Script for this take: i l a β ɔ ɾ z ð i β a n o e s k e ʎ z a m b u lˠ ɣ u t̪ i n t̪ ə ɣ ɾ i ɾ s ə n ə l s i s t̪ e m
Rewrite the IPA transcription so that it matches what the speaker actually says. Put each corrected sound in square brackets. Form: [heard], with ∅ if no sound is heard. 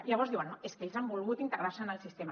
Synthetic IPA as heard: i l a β ɔ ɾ z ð i [w] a n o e s k e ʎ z a m b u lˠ ɣ u t̪ i n t̪ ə ɣ ɾ [a] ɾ s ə n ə l s i s t̪ e m